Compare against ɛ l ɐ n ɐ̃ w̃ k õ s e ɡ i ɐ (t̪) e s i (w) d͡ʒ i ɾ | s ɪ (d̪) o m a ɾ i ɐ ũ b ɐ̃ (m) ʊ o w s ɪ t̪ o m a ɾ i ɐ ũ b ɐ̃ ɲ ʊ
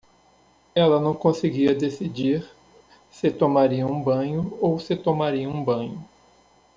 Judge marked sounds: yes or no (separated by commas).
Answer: no, no, no, no